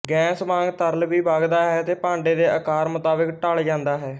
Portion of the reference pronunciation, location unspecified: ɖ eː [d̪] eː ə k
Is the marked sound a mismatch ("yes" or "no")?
no